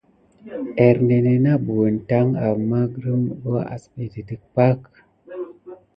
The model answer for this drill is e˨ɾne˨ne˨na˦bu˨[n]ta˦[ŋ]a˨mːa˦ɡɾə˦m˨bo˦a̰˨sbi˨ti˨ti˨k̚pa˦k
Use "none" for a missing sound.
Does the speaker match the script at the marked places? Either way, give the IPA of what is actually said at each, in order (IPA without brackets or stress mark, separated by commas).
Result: n, ŋ